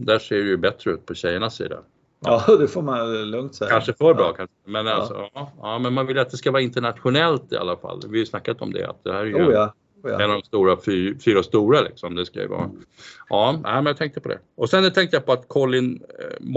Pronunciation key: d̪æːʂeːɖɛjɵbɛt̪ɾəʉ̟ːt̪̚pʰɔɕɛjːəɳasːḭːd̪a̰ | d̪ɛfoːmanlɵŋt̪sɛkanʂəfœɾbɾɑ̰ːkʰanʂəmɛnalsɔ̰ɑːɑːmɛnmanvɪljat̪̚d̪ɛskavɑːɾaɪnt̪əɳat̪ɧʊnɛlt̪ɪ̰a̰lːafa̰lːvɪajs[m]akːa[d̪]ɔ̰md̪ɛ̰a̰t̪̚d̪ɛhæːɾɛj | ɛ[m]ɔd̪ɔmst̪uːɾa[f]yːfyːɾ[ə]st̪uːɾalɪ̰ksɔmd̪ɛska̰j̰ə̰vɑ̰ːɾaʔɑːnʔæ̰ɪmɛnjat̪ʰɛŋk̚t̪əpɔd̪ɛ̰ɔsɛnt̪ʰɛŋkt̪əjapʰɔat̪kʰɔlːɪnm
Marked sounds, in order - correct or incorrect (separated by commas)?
incorrect, incorrect, incorrect, correct, incorrect